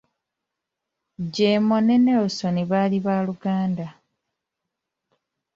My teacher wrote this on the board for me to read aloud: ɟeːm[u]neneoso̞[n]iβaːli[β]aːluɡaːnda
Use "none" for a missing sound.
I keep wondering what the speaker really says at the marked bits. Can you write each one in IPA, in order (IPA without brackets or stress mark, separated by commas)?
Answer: o, n, β